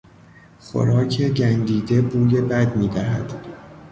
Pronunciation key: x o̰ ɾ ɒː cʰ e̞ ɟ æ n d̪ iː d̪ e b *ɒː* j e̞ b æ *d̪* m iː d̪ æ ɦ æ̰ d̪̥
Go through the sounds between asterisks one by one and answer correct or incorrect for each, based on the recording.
incorrect, correct

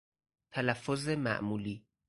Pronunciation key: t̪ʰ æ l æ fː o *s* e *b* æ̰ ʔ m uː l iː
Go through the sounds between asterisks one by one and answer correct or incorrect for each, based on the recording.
incorrect, incorrect

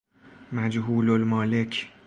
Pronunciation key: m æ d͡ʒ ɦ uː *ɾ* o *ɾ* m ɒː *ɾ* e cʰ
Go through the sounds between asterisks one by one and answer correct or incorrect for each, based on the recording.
incorrect, incorrect, incorrect

